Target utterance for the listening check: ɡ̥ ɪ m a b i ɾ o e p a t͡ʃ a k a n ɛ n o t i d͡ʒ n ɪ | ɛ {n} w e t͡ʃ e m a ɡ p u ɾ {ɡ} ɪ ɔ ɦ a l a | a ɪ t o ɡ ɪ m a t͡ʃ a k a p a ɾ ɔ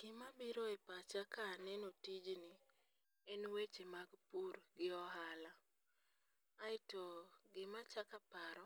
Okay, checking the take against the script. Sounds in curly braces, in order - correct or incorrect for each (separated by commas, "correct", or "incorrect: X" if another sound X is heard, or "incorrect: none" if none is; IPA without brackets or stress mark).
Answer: correct, correct